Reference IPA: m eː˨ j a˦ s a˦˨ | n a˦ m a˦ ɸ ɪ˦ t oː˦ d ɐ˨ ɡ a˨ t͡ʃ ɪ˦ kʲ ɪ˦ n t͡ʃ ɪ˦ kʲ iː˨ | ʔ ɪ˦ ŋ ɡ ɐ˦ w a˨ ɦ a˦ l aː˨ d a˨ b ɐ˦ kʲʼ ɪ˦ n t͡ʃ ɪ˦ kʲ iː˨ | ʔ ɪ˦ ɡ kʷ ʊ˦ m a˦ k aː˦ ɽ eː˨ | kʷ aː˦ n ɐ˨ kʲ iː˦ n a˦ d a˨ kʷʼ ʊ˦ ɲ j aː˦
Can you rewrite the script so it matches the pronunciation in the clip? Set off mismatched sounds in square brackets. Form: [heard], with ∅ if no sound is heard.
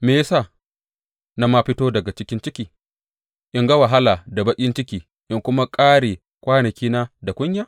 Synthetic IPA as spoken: m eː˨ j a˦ s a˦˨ | n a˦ m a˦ ɸ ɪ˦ t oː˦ d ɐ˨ ɡ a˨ t͡ʃ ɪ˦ kʲ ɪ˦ n t͡ʃ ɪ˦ kʲ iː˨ | ʔ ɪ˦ ŋ ɡ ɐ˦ w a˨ ɦ a˦ l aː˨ d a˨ b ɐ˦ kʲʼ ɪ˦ n t͡ʃ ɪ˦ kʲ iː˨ | ʔ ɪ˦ [ŋ] kʷ ʊ˦ m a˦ [kʼ] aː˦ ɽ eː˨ | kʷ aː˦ n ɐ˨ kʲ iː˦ n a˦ d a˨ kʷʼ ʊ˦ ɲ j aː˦